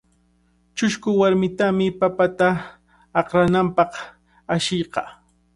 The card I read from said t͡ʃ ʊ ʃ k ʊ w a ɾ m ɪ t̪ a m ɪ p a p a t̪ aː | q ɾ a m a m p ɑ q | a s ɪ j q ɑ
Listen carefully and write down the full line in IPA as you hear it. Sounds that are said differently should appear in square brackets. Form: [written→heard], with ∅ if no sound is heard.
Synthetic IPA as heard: t͡ʃ ʊ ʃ k ʊ w a ɾ m ɪ t̪ a m ɪ p a p a t̪ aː | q ɾ a [m→n] a m p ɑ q | a [s→ʃ] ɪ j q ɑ